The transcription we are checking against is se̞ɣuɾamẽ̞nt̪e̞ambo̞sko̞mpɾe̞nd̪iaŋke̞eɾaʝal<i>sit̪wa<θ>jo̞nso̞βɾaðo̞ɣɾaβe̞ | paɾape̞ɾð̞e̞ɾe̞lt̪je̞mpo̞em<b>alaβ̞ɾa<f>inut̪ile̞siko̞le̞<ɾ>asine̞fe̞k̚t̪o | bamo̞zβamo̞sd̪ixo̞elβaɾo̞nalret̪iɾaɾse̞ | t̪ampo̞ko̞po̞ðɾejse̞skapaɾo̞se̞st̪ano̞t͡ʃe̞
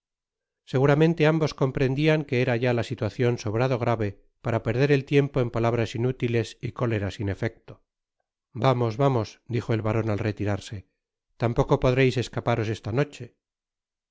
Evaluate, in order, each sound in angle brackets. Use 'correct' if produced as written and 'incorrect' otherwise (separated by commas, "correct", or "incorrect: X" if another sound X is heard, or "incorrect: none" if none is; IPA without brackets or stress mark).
incorrect: a, correct, incorrect: p, incorrect: s, correct